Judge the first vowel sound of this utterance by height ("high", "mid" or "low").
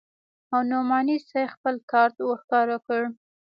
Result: low